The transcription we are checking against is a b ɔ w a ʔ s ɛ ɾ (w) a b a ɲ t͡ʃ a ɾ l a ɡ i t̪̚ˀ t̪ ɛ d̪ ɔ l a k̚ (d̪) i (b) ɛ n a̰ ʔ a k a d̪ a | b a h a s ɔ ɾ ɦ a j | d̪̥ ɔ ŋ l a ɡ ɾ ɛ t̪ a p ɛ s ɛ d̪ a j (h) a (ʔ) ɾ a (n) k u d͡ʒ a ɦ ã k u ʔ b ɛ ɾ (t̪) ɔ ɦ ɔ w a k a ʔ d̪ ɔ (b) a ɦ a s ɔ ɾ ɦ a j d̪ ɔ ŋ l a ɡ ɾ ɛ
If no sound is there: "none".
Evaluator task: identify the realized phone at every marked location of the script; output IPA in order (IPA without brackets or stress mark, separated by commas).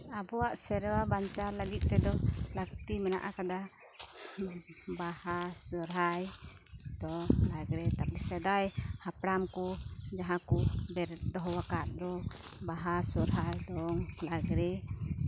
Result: w, t̪, m, h, p, m, d̪, b